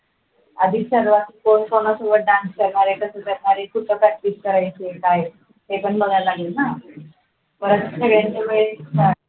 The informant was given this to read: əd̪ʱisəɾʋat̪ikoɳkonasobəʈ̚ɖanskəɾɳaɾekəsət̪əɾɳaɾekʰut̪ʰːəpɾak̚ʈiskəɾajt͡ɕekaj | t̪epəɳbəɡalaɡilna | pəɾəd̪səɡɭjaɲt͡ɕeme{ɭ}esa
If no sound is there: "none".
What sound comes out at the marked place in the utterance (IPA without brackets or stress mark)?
ɭ